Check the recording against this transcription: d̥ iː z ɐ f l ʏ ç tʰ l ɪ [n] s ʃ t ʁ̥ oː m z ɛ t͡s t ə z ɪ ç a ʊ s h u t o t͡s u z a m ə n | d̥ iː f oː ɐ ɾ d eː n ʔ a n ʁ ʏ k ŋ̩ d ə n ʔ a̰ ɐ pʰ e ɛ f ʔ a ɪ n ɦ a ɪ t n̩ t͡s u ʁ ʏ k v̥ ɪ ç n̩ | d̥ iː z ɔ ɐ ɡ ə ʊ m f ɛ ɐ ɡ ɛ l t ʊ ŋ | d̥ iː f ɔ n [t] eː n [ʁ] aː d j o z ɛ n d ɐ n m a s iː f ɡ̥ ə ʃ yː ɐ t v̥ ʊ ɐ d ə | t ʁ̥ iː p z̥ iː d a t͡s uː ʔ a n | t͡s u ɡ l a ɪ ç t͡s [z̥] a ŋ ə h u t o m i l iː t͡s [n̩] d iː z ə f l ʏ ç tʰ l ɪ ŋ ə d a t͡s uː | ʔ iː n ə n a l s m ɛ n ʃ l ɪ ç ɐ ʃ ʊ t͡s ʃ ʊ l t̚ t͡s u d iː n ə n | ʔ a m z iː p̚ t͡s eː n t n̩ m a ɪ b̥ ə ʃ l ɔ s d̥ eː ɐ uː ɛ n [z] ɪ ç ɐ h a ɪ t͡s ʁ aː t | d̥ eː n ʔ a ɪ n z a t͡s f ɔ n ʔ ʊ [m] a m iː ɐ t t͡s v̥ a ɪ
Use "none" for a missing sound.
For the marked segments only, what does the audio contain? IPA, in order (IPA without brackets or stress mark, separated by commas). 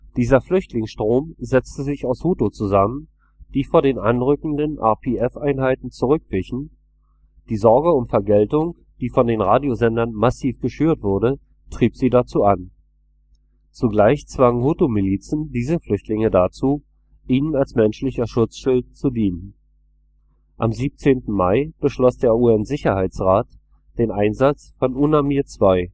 ŋ, d, ʁ, v̥, n̩, z, n